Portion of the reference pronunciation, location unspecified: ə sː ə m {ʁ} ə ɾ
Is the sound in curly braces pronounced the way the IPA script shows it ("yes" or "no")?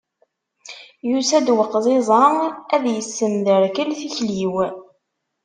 no